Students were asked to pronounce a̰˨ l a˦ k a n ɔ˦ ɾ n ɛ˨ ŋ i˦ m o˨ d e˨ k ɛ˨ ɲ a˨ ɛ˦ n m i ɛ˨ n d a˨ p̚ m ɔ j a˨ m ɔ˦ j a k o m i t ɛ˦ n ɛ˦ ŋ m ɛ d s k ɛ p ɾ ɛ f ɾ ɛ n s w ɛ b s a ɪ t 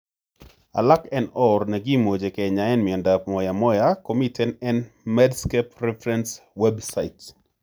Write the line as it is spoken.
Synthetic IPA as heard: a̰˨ l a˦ k ɛ n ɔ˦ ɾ n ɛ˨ ɡ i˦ m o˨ d͡ʒ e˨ k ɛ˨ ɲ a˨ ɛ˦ n m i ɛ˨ n d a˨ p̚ m ɔ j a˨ m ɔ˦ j a k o m i t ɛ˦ n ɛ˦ n m ɛ d s k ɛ p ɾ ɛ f ɾ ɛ n s w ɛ b s a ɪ t

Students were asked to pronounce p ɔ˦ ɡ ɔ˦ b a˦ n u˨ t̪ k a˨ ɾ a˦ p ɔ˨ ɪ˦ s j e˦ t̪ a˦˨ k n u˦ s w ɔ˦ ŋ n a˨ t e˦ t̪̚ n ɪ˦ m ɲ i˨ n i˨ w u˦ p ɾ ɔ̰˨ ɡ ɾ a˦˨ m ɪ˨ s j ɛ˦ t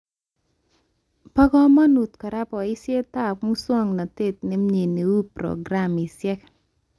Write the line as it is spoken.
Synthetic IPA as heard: p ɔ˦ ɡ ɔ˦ m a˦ n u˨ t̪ k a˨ ɾ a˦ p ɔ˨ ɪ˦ s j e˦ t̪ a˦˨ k m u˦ s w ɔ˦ ŋ n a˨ t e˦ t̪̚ n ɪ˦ m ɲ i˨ n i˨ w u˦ p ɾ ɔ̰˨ ɡ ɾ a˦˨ m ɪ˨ s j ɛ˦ k

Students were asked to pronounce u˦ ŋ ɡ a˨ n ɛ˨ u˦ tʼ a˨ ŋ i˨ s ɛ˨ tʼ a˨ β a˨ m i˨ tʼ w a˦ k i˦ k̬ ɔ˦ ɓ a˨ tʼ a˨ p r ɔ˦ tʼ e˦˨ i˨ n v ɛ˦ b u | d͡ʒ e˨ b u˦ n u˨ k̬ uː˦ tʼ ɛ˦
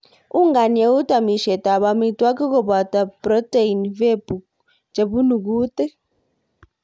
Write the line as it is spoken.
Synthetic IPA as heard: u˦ ŋ ɡ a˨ n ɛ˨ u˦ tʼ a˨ m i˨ ʃ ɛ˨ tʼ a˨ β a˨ m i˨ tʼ w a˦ k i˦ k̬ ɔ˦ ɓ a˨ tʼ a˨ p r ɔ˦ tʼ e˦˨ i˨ n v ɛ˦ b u | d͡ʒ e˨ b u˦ n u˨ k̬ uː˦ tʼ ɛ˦

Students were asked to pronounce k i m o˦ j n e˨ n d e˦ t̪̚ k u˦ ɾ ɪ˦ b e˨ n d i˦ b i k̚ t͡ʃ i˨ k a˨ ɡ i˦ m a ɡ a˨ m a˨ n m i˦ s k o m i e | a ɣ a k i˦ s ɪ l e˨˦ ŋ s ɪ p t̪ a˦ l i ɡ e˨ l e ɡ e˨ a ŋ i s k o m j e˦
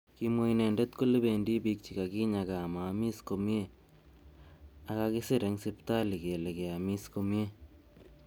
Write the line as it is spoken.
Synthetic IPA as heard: k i m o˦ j n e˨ n d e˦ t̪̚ k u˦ l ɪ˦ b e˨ n d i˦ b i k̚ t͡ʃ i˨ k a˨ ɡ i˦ ɲ a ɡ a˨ m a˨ m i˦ s k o m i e | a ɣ a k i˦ s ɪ ɾ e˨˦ ŋ s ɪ p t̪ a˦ l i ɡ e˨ l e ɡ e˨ a m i s k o m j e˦

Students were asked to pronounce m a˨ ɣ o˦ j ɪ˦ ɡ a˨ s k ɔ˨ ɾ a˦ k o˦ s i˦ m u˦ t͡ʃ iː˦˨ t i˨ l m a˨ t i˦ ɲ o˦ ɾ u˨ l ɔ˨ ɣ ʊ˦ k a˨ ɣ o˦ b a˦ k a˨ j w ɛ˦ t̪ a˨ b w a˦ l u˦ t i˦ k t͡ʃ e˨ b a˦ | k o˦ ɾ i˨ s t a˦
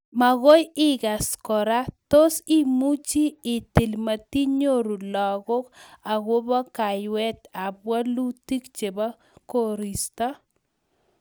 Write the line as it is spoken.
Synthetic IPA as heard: m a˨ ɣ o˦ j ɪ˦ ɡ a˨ s k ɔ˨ ɾ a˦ t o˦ s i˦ m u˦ t͡ʃ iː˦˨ t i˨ l m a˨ t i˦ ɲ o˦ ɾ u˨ l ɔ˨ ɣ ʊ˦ k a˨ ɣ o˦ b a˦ k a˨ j w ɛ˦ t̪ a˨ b w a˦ l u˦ t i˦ k t͡ʃ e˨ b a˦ | k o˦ ɾ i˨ s t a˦

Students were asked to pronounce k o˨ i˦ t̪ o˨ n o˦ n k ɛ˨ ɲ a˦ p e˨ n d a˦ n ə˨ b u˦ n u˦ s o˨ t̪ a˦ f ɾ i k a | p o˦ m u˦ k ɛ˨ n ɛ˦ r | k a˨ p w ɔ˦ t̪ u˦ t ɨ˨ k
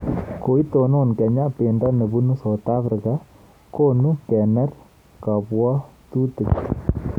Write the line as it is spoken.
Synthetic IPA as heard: k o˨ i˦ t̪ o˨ n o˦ n k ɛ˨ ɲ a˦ p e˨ n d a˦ n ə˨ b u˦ n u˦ s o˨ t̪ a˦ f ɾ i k a | k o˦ n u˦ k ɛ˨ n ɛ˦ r | k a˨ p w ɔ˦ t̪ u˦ t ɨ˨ k

